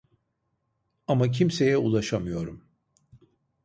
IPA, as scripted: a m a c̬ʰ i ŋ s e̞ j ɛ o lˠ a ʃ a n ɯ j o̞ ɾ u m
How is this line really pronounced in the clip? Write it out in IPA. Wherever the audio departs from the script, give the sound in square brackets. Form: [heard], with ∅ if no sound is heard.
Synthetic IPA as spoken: a m a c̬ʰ i [m] s e̞ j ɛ [u] lˠ a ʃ a [m] ɯ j o̞ ɾ u m